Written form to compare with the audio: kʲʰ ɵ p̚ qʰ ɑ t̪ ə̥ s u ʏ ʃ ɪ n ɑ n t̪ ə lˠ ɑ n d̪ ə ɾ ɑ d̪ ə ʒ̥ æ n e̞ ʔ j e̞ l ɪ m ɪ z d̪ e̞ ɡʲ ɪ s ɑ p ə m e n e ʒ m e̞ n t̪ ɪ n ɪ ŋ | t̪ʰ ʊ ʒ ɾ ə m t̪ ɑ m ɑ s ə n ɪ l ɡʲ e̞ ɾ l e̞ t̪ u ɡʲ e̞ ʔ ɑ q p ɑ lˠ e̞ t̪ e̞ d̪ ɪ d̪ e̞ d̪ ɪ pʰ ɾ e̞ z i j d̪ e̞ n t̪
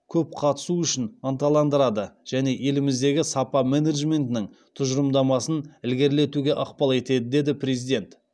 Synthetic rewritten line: kʲʰ ɵ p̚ qʰ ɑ t̪ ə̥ s u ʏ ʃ ɪ n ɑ n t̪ ɑ lˠ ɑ n d̪ ə ɾ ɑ d̪ ə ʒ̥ æ n e̞ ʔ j e̞ l ɪ m ɪ z d̪ e̞ ɡʲ ɪ s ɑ p ɑ m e n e ʒ m e̞ n t̪ ɪ n ɪ ŋ | t̪ʰ ʊ ʒ ɾ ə m d̪ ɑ m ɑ s ə n ɪ l ɡʲ e̞ ɾ l e̞ t̪ u ɡʲ e̞ ʔ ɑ q p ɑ lˠ e̞ t̪ e̞ d̪ ɪ d̪ e̞ d̪ ɪ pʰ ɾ e̞ z i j d̪ e̞ n t̪